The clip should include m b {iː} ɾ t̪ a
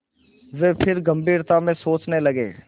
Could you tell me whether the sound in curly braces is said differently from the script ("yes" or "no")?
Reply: no